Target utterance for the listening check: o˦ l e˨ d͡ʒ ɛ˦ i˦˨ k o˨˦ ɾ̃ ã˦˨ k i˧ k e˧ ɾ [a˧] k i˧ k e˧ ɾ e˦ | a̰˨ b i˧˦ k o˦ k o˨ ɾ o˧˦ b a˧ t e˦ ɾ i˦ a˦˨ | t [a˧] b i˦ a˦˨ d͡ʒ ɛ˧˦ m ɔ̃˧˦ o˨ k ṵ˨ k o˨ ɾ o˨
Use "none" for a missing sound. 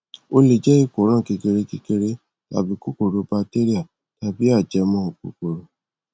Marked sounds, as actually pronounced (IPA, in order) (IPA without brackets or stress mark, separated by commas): e˧, a˧